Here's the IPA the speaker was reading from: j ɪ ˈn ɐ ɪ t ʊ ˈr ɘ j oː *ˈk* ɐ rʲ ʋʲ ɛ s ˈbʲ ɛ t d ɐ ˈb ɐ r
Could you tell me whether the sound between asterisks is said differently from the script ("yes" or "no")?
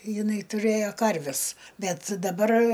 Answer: no